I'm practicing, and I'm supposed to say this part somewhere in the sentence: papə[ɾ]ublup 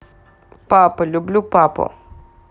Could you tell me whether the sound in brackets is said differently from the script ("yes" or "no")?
yes